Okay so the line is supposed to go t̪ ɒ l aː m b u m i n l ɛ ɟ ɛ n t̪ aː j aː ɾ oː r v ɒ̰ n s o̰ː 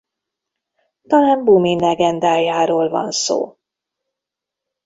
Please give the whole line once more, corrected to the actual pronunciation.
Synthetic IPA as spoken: t̪ ɒ l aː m b u m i n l ɛ ɡ ɛ n d̪ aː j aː ɾ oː l v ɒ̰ n s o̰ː